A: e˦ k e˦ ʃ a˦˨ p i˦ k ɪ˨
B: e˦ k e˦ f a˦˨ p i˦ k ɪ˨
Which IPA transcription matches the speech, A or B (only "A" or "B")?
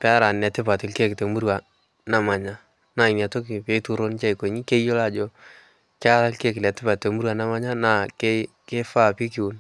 B